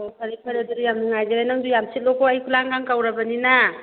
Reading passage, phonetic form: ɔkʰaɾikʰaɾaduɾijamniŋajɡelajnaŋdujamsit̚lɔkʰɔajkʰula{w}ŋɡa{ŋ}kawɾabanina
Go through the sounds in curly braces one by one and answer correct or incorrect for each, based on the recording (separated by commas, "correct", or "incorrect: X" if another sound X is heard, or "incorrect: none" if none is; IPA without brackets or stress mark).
incorrect: none, correct